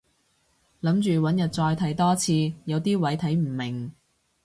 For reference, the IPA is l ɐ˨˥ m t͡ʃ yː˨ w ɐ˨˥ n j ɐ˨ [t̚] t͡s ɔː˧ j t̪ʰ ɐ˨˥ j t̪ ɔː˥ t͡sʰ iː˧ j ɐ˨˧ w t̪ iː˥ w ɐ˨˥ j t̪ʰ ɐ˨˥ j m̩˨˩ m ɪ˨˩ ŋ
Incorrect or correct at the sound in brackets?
correct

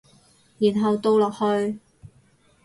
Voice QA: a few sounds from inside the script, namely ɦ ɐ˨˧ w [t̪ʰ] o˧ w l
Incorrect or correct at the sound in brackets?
incorrect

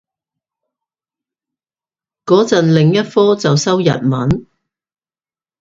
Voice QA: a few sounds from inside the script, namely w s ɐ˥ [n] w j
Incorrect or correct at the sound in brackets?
incorrect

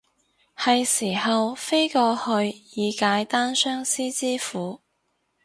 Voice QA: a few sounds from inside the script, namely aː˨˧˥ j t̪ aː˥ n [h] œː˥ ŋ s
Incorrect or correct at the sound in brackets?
incorrect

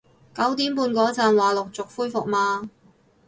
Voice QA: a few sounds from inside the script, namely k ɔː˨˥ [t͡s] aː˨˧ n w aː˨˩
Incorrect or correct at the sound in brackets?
correct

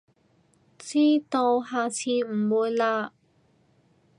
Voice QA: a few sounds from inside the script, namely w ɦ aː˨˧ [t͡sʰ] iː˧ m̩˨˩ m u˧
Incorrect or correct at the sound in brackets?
correct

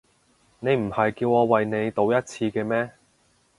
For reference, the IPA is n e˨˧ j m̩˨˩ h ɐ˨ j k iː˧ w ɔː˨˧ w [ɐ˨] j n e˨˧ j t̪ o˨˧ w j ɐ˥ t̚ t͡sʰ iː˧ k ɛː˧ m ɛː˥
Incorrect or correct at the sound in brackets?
correct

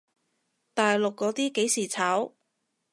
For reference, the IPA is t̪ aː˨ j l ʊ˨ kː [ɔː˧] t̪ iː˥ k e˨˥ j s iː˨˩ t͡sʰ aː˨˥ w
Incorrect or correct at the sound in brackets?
incorrect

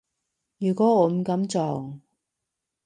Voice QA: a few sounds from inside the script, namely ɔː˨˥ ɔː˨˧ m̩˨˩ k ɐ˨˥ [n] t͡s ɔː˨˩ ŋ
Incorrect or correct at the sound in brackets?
incorrect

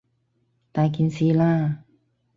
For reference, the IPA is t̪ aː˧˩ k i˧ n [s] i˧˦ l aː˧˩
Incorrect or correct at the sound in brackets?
correct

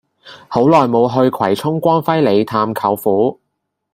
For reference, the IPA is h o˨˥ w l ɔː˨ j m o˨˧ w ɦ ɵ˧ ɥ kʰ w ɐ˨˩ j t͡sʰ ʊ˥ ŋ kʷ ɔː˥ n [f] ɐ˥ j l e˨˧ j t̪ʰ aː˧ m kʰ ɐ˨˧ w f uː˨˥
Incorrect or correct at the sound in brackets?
correct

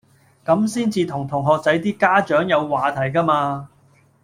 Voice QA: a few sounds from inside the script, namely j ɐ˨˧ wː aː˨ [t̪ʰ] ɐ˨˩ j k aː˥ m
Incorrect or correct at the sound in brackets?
correct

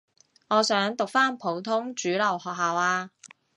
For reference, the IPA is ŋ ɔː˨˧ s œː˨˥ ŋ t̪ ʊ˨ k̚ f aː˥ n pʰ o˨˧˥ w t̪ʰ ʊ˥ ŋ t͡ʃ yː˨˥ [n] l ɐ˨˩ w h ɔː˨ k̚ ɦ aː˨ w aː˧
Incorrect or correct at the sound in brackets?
incorrect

